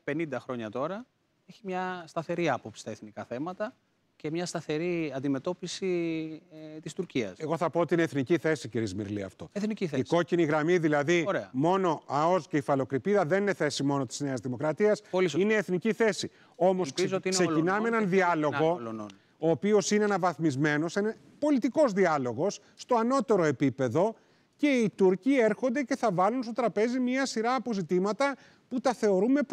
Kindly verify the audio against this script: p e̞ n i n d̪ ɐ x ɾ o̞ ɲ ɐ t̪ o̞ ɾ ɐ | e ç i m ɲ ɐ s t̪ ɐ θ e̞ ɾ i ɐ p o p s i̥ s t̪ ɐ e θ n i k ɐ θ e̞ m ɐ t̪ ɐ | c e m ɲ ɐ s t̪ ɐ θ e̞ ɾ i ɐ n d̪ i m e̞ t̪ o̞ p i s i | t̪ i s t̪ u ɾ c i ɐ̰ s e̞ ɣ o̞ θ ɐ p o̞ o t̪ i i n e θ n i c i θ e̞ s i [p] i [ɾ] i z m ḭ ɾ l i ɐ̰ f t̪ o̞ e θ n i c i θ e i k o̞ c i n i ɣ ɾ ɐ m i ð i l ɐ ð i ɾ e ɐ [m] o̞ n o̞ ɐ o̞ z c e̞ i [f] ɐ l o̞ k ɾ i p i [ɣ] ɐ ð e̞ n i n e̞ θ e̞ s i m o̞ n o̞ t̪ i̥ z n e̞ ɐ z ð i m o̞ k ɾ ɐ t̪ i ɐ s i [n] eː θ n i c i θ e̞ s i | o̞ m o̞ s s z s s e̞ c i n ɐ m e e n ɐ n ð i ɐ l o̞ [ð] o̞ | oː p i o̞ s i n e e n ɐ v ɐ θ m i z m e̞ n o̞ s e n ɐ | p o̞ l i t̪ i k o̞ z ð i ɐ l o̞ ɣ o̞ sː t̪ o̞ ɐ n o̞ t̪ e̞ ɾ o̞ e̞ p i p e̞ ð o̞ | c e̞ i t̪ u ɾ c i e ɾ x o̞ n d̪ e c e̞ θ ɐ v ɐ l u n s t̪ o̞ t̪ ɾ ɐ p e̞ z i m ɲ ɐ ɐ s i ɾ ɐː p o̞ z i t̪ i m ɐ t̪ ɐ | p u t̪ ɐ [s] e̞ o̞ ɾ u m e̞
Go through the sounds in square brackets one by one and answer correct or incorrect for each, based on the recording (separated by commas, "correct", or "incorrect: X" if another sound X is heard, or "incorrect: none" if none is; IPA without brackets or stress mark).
incorrect: c, correct, correct, correct, incorrect: ð, correct, incorrect: ɣ, incorrect: θ